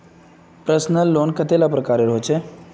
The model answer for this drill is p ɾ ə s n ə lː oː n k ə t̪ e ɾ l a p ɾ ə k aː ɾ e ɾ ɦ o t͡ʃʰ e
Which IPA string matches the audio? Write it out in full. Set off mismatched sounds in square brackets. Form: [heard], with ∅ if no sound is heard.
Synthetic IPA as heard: p ɾ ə s n ə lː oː n k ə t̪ e [∅] l a p ɾ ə k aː ɾ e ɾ ɦ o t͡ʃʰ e